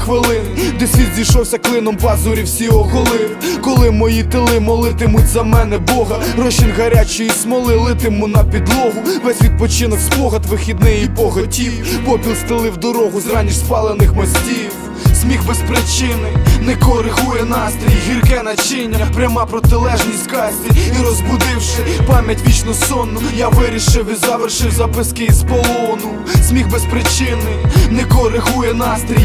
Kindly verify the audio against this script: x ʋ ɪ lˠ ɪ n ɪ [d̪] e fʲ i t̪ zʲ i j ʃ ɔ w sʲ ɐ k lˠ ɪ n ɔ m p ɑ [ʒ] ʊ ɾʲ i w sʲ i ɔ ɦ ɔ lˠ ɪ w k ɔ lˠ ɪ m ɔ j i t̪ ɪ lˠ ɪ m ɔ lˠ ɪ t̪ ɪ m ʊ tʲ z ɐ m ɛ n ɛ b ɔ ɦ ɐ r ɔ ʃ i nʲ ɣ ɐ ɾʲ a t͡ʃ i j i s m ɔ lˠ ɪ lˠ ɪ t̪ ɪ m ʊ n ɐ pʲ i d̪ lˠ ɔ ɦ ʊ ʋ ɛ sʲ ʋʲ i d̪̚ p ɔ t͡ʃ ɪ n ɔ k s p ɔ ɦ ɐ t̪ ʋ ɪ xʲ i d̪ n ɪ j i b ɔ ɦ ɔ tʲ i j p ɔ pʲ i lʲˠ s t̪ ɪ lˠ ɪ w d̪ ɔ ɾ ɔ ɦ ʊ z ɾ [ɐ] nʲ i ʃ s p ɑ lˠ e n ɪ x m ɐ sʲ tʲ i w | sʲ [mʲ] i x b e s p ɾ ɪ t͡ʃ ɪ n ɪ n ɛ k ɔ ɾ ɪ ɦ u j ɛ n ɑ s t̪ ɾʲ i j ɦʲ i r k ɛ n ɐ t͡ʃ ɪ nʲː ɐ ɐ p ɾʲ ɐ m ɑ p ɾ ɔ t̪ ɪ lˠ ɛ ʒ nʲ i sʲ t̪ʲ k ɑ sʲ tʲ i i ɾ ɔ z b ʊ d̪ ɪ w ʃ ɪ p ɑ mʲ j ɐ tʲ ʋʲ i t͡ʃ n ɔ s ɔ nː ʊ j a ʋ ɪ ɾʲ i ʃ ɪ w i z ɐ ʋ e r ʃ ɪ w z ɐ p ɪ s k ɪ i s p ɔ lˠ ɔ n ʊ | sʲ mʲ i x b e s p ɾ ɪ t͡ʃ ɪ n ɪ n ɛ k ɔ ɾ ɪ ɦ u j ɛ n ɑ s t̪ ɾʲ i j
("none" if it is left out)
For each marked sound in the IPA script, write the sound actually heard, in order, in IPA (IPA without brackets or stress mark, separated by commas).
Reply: d̪, z, ɑ, mʲ